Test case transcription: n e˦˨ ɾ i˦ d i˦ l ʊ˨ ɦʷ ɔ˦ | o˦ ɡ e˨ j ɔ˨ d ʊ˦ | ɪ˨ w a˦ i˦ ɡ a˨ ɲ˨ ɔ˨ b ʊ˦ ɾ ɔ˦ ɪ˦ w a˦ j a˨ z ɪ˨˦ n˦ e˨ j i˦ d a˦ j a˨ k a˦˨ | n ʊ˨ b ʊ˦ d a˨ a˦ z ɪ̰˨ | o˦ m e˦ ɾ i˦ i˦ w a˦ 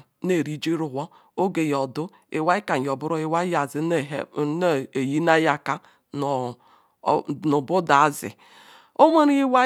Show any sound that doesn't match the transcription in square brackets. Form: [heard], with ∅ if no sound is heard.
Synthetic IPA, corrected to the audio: n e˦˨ ɾ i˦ [d͡ʒ] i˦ [ɾ] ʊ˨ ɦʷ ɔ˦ | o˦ ɡ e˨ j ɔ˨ d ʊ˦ | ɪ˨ w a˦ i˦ [k] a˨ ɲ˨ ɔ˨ b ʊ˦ ɾ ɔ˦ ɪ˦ w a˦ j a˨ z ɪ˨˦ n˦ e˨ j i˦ [n] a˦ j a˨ k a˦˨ | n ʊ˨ b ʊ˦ d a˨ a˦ z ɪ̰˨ | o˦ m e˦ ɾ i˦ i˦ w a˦

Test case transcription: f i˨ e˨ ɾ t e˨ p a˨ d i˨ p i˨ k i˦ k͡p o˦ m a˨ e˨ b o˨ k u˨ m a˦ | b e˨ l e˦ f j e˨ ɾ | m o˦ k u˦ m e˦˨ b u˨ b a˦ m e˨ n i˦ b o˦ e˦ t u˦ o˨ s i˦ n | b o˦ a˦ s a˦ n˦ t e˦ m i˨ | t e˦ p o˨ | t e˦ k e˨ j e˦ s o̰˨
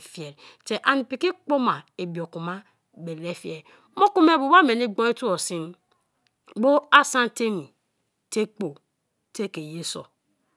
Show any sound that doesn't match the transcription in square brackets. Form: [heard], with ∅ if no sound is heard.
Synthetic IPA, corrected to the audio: f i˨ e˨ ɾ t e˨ [ʔ] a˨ [n] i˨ p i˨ k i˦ k͡p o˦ m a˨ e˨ b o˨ k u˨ m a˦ | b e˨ l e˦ f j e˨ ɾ | m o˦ k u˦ m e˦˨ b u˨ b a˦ m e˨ n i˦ [ɡ͡b] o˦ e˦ t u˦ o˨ s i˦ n | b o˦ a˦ s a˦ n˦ t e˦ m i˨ | t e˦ [k͡p] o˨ | t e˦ k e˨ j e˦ s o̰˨

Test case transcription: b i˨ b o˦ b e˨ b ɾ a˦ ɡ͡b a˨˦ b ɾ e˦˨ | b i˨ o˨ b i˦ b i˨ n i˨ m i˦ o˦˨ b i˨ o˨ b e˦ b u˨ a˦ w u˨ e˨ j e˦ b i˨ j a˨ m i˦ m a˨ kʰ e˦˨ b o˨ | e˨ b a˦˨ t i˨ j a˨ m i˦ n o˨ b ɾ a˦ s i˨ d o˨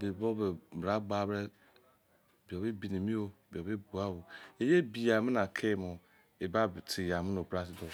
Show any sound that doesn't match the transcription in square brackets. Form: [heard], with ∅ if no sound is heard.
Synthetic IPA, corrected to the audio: b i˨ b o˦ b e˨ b ɾ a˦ ɡ͡b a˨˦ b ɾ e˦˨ | b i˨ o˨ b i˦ b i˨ n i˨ m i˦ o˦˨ b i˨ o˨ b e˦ b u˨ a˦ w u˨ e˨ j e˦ b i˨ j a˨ m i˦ [n] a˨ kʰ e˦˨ [m] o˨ | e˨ b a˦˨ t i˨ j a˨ m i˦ n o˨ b ɾ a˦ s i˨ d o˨

